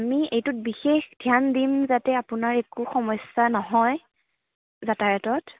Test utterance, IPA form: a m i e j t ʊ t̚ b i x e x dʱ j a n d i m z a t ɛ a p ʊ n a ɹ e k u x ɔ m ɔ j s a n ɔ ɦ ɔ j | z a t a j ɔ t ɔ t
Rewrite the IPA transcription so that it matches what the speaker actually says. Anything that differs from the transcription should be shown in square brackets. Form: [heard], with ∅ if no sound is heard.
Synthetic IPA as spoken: a m i e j t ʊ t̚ b i x e x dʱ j a n d i m z a t ɛ a p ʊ n a ɹ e k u x ɔ m ɔ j s a n ɔ ɦ ɔ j | z a t a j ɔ t ɔ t

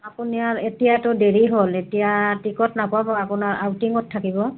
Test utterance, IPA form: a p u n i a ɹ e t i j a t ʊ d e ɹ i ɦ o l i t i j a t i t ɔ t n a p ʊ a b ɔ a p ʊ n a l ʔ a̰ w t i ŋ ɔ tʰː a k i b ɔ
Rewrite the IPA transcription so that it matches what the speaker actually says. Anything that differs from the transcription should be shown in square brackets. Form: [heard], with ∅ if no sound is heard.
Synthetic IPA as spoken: a p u n i a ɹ e t i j a t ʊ d e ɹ i ɦ o l [e] t i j a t i [k] ɔ t n a p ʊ a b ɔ a p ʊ n a [ɹ] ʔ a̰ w t i ŋ ɔ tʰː a k i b ɔ

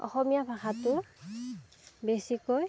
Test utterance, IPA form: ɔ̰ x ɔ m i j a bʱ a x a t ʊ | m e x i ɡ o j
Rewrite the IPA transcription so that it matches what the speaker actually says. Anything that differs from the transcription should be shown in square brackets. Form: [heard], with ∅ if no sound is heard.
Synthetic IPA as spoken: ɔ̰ x ɔ m i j a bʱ a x a t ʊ | [b] e [s] i [k] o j

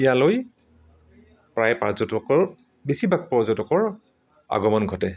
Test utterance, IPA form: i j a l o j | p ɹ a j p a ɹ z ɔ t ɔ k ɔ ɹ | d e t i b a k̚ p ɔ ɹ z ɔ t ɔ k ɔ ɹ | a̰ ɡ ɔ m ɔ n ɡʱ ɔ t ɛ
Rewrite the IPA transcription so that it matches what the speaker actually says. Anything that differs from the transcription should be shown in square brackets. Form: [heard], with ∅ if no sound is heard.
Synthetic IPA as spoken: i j a l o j | p ɹ a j p a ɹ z ɔ t ɔ k ɔ ɹ | [b] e [s] i b a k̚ p ɔ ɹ z ɔ t ɔ k ɔ ɹ | a̰ ɡ ɔ m ɔ n ɡʱ ɔ t ɛ

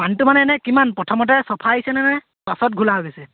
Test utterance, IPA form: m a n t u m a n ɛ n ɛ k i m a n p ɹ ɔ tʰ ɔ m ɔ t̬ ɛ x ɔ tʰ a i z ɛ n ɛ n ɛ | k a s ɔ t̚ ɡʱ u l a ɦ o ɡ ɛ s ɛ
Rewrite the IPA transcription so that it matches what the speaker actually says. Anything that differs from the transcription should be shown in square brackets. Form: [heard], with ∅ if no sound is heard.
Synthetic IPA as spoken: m a n t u m a n ɛ n ɛ k i m a n p ɹ ɔ tʰ ɔ m ɔ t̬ ɛ [s] ɔ [pʰ] a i [s] ɛ n ɛ n ɛ | [p] a s ɔ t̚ ɡʱ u l a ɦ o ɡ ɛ s ɛ

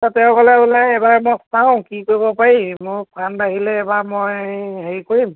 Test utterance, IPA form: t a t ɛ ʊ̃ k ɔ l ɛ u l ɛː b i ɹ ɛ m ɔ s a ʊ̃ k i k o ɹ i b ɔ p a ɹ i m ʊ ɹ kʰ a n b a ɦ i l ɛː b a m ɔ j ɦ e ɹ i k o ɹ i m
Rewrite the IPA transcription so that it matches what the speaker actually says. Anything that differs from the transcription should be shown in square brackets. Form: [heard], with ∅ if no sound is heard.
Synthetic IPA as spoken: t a t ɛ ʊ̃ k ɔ l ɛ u l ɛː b [a] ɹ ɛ m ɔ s a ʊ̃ k i k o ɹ i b ɔ p a ɹ i m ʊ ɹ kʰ a n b a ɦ i l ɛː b a m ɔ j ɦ e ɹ i k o ɹ i m

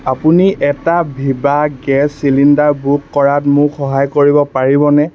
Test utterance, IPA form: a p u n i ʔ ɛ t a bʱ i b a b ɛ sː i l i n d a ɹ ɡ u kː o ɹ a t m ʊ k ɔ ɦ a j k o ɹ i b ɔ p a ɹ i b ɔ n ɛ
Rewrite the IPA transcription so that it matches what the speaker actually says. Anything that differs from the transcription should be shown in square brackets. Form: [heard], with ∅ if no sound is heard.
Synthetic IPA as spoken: a p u n i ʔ ɛ t a bʱ i b a [ɡ] ɛ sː i l i n d a ɹ [b] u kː [ɔ] ɹ a t m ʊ [x] ɔ ɦ a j k o ɹ i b ɔ p a ɹ i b ɔ n ɛ

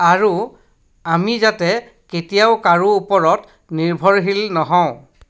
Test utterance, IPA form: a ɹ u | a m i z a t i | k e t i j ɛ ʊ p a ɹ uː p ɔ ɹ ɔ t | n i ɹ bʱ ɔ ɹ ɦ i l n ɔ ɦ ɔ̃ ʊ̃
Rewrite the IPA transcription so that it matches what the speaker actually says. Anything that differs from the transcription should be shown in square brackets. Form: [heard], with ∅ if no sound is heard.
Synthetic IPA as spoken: a ɹ u | a m i z a t [ɛ] | k e t i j [a] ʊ [k] a ɹ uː p ɔ ɹ ɔ t | n i ɹ bʱ ɔ ɹ ɦ i l n ɔ ɦ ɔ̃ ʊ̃

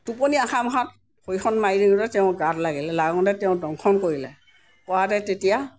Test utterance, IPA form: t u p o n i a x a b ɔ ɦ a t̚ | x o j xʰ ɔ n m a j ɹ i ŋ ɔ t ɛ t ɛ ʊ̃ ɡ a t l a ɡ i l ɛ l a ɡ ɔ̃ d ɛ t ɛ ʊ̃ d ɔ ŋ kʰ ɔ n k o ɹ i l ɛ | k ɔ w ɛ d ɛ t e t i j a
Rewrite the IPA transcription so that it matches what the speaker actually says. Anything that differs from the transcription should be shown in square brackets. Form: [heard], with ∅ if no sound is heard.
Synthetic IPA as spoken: t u p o n i a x a [m] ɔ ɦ a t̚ | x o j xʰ ɔ n m a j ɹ i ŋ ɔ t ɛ t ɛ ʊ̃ ɡ a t l a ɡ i l ɛ l a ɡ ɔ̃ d ɛ t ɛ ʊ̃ d ɔ ŋ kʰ ɔ n k o ɹ i l ɛ | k ɔ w [a] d ɛ t e t i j a

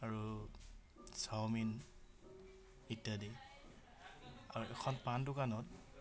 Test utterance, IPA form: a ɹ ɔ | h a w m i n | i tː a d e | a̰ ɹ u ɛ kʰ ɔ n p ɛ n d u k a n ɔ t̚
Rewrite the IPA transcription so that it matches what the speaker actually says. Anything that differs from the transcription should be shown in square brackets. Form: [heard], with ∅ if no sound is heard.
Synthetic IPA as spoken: a ɹ [u] | [s] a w m i n | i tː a d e | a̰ ɹ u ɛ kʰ ɔ n p [a] n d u k a n ɔ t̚

